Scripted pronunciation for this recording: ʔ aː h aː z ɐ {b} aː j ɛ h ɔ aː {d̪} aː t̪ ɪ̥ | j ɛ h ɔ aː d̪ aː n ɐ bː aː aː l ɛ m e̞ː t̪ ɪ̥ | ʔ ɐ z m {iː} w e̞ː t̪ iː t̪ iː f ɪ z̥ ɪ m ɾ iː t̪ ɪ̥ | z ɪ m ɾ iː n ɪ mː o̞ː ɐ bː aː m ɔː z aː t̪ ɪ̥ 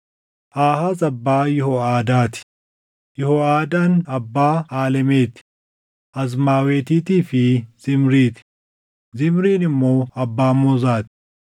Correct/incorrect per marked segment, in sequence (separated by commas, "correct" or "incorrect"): incorrect, correct, incorrect